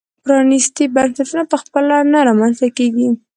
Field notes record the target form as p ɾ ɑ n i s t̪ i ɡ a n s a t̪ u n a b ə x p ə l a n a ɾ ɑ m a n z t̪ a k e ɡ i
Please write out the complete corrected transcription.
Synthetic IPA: p ɾ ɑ n i s t̪ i b a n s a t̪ u n a p ə x p ə l a n a ɾ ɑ m a n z t̪ a k e ɡ i

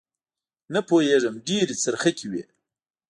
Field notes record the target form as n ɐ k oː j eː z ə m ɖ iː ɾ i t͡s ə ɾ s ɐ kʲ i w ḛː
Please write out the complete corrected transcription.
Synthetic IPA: n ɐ p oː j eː ʐ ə m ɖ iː ɾ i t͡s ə ɾ x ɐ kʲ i w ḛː

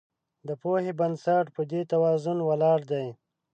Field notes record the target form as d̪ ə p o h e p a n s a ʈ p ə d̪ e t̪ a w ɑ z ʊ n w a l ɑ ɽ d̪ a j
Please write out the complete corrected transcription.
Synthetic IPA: d̪ ə p o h e b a n s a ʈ p ə d̪ e t̪ a w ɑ z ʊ n w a l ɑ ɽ d̪ a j

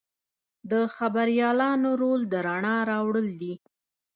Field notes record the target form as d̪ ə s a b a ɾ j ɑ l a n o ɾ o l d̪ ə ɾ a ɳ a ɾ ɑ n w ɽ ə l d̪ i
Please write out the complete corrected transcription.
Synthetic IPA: d̪ ə x a b a ɾ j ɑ l ɑ n o ɾ o l d̪ ə ɾ a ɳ ɑ ɾ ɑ w ɽ ə l d̪ i

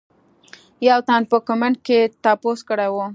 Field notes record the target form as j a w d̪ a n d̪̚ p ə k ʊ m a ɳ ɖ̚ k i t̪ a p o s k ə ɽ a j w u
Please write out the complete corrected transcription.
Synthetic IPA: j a w t̪ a n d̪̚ p ə k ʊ m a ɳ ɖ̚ k e t̪ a p o s k ə ɽ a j w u

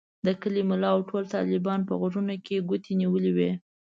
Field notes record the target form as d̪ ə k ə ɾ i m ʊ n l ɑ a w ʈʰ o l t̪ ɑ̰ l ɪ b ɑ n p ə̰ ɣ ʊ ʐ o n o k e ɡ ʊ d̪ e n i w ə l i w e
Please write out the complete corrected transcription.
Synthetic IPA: d̪ ə k ə l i m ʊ l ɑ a w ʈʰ o l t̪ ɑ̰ l ɪ b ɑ n p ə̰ ɣ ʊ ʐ u n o k e ɡ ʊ t̪ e n i w ə l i w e

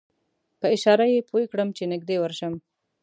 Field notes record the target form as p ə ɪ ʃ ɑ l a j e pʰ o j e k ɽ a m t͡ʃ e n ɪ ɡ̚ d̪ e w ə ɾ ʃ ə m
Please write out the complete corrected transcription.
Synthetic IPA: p ə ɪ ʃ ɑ ɾ a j e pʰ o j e k ɽ ə m t͡ʃ e n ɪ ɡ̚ d̪ e w ə ɾ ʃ ə m

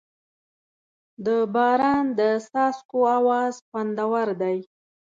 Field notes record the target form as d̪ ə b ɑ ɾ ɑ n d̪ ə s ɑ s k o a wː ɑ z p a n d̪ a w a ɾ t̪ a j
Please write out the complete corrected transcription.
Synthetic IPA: d̪ ə b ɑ ɾ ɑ n d̪ ə s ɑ s k o a w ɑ z p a n d̪ a w a ɾ d̪ a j

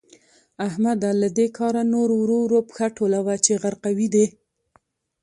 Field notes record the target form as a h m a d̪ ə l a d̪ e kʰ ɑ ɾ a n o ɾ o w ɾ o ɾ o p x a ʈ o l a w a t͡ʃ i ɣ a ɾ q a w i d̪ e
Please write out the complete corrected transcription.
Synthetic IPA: a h m a d̪ a l a d̪ e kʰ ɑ ɾ a n o ɾ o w ɾ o ɾ o p x a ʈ o l a w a t͡ʃ e ɣ a ɾ q a w i d̪ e

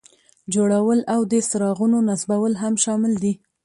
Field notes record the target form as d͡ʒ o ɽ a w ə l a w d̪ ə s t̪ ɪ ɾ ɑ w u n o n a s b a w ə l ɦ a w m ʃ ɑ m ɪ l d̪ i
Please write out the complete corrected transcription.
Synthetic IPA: d͡ʒ o ɽ a w ə l a w d̪ ə s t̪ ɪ ɾ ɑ ɣ u n o n a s b a w ə l ɦ a m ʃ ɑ m ɪ l d̪ i

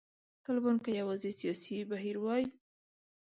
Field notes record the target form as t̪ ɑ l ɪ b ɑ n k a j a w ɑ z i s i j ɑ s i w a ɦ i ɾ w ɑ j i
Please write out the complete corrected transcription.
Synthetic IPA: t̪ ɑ l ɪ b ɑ n k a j a w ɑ z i s i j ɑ s i b a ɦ i ɾ w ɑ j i

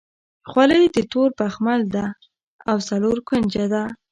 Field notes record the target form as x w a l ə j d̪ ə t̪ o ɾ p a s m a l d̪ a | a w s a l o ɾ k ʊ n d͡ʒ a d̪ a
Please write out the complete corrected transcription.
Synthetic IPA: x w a l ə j d̪ ə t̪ o ɾ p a x m a l d̪ a | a w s a l o ɾ k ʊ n d͡ʒ a d̪ a

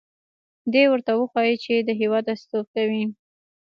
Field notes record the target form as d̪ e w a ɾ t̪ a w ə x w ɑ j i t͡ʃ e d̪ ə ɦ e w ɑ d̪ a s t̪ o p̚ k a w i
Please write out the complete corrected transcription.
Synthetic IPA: d̪ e w ə ɾ t̪ a w ə x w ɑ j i t͡ʃ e d̪ ə ɦ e w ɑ d̪ a s t̪ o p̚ k a w i

